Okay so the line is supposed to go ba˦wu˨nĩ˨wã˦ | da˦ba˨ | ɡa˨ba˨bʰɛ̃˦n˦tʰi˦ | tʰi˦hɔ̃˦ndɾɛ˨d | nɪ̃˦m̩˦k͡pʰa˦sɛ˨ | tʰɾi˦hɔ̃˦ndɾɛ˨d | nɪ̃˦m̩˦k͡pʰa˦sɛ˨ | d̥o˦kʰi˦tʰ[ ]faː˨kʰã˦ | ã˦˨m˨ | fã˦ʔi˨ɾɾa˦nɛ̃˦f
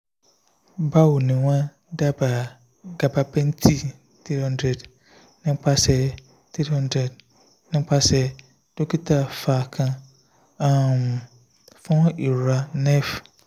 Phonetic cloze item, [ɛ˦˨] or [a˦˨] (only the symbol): a˦˨